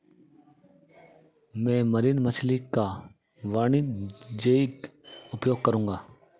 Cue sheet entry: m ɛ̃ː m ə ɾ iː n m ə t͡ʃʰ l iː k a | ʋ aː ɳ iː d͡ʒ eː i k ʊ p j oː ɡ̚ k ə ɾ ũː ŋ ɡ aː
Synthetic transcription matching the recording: m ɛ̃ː m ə ɾ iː n m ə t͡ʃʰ l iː k a | ʋ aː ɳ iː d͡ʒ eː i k ʊ p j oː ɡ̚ k ə ɾ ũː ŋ ɡ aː